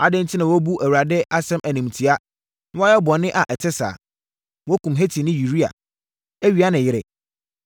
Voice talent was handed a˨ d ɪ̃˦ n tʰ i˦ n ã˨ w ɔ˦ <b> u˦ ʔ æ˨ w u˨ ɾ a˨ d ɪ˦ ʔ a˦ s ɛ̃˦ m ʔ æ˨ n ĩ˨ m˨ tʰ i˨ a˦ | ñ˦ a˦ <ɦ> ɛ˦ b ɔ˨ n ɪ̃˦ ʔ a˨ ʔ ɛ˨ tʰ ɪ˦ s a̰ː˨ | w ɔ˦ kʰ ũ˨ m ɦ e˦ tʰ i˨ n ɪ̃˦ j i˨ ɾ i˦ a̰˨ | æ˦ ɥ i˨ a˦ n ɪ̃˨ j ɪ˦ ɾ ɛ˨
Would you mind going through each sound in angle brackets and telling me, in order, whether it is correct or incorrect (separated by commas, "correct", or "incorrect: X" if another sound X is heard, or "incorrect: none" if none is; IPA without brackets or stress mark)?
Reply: correct, incorrect: none